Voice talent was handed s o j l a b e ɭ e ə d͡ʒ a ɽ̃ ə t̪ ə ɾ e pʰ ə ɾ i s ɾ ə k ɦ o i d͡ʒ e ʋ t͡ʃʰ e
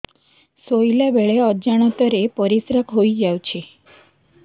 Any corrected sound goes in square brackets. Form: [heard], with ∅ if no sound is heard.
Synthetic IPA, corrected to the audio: s o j l a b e ɭ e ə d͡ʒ a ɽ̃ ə t̪ ə ɾ e [p] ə ɾ i s ɾ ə k ɦ o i d͡ʒ [a] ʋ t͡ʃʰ e